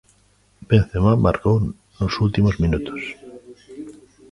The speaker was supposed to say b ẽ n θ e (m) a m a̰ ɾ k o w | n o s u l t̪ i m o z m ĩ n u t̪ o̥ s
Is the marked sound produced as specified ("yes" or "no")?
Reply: yes